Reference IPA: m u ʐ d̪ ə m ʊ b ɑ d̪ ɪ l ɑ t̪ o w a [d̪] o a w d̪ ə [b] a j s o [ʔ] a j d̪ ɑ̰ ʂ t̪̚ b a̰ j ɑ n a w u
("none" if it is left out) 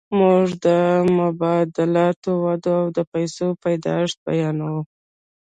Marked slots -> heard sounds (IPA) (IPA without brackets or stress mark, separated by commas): d̪, p, p